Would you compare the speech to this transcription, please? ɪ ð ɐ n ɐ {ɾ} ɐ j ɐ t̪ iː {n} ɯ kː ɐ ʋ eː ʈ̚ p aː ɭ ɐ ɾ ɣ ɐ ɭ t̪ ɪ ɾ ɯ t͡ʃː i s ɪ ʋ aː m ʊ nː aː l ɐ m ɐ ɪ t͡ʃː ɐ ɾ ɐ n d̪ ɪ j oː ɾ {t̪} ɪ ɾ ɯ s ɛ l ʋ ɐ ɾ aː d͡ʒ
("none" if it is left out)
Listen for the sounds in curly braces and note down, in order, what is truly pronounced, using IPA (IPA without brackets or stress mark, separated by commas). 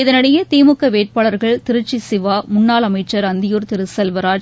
ɽ, m, t̪